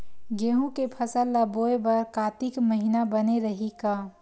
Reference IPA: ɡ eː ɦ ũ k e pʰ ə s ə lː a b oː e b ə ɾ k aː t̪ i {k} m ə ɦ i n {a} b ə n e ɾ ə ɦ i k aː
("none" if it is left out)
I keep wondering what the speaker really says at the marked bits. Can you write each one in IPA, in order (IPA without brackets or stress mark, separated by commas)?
k, a